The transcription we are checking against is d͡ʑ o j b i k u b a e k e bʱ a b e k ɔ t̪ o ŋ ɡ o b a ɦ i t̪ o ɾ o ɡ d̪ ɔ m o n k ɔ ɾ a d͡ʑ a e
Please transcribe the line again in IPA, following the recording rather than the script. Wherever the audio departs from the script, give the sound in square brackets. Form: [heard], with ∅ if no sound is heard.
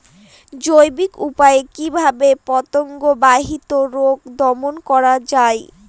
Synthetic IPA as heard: d͡ʑ o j b i k u [p] a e k [i] bʱ a b e [p] ɔ t̪ o ŋ ɡ o b a ɦ i t̪ o ɾ o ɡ d̪ ɔ m o n k ɔ ɾ a d͡ʑ a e